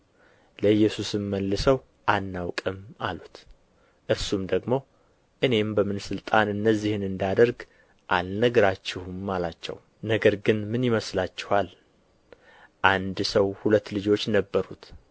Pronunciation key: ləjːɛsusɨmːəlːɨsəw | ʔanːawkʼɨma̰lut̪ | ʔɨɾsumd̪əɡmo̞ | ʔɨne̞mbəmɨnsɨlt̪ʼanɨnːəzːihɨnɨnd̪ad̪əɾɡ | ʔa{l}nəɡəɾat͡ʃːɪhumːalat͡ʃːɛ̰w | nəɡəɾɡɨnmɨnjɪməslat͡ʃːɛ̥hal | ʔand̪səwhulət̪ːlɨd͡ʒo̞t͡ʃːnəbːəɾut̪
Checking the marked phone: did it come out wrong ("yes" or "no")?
no